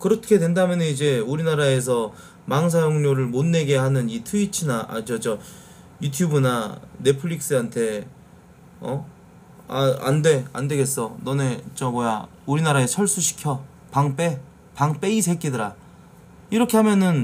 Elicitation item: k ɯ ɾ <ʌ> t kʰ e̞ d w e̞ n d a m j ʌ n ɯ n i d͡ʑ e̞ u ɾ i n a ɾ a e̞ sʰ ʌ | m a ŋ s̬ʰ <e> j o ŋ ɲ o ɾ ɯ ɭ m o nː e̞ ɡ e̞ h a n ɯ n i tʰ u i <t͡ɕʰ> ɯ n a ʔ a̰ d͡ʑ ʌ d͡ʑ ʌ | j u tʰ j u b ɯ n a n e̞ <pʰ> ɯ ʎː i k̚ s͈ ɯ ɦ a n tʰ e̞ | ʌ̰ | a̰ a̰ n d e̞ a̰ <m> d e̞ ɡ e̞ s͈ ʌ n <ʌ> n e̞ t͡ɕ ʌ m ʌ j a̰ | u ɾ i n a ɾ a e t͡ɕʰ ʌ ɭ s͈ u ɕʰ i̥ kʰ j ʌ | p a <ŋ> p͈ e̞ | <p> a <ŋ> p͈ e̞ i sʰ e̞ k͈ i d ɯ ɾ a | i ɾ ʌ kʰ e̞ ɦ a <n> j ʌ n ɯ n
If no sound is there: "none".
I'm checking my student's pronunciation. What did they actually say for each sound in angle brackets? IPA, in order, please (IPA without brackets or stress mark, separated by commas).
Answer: ʌ, a, t͡ɕʰ, pʰ, n, ʌ, ŋ, p, ŋ, m